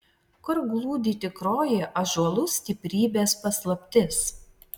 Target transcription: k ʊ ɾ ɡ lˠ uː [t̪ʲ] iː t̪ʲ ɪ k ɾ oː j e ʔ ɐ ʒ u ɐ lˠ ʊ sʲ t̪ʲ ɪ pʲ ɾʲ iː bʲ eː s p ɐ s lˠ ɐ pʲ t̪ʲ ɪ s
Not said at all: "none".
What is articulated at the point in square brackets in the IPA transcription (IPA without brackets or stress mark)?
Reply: d̪ʲ